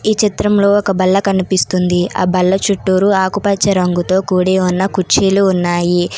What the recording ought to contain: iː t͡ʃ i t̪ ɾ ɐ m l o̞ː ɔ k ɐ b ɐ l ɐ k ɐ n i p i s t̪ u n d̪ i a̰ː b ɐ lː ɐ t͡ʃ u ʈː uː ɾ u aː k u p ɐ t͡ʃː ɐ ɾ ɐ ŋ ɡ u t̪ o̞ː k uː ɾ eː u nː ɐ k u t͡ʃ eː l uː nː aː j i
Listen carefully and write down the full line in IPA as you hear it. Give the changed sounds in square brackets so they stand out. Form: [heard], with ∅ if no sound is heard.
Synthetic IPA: iː t͡ʃ i t̪ ɾ ɐ m l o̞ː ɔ k ɐ b ɐ [lː] ɐ k ɐ n i p i s t̪ u n d̪ i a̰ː b ɐ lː ɐ t͡ʃ u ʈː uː ɾ u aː k u p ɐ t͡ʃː ɐ ɾ ɐ ŋ ɡ u t̪ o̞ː k uː [ɽ] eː u nː ɐ k u t͡ʃ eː l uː nː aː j i